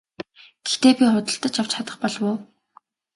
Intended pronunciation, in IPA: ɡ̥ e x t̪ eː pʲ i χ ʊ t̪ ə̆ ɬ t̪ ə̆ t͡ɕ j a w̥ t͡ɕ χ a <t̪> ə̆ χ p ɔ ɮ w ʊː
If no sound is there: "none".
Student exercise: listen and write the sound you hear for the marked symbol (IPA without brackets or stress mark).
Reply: t̪